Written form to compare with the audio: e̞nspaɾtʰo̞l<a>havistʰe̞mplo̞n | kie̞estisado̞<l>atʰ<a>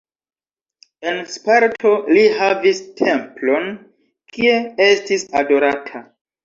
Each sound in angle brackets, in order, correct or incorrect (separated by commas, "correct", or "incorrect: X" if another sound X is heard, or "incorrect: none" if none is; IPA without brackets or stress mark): incorrect: i, incorrect: ɾ, correct